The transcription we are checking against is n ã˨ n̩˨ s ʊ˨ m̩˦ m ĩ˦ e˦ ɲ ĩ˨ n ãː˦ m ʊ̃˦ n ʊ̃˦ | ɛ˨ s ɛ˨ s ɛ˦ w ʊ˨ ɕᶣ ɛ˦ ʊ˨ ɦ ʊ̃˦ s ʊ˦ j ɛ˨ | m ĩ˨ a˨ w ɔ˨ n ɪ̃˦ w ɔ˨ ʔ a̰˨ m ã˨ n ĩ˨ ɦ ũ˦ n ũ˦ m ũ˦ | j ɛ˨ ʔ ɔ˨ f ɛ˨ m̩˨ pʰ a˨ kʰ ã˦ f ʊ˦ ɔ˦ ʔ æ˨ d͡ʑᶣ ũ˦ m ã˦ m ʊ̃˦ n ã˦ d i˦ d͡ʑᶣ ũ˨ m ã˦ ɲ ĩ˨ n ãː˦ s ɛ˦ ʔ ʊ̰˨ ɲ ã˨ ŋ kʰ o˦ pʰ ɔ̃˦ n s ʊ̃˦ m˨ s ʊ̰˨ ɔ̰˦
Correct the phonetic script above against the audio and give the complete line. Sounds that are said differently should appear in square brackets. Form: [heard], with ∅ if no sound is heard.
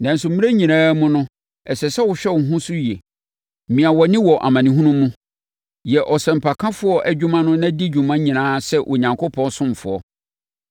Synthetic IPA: n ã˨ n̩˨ s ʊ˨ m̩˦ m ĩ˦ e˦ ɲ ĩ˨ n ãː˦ m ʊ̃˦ n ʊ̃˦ | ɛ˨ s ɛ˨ s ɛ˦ w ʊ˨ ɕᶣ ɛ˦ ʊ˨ ɦ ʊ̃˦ s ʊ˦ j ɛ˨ | m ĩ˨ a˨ w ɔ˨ n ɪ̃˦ w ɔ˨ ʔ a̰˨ m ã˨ n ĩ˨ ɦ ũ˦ n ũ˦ m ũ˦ | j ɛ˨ ʔ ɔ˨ [s] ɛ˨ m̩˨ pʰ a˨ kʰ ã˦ f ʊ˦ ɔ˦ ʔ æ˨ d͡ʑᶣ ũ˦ m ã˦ [n] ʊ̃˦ n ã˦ d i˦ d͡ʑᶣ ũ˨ m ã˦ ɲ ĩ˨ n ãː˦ s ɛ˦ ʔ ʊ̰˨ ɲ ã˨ ŋ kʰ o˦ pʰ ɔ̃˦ n s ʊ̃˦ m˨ [f] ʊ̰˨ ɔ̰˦